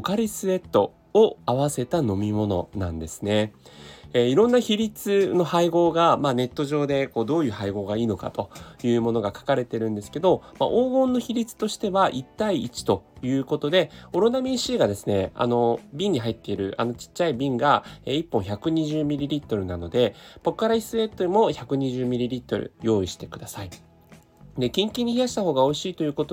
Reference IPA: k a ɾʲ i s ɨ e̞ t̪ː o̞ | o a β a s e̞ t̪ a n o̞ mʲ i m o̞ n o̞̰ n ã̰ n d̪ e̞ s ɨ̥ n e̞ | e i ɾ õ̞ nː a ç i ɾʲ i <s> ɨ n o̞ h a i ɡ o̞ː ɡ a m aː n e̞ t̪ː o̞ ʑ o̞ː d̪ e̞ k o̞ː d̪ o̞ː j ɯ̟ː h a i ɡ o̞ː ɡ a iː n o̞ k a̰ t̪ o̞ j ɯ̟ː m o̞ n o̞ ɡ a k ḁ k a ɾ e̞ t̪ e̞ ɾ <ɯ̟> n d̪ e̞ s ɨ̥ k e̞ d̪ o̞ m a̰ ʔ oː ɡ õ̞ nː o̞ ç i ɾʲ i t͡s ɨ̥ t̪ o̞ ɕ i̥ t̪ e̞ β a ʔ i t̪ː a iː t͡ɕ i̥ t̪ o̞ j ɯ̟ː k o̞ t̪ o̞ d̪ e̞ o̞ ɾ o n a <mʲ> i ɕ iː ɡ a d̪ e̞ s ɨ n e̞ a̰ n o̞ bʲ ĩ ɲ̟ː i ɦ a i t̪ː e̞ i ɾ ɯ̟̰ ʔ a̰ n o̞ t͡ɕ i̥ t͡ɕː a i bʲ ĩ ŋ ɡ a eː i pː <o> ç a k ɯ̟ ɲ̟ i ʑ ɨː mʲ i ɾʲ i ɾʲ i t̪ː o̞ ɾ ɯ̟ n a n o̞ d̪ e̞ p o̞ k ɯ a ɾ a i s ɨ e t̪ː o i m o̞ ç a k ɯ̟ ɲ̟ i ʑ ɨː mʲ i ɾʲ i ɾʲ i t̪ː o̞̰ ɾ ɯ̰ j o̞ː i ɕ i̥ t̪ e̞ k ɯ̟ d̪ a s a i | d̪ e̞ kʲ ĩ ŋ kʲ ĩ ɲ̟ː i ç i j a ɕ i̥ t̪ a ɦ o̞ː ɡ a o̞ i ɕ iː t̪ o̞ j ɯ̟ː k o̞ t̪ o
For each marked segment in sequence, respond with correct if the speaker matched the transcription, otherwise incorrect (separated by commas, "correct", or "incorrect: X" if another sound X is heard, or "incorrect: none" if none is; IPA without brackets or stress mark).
incorrect: t͡s, incorrect: ɯ̟̃, correct, incorrect: õ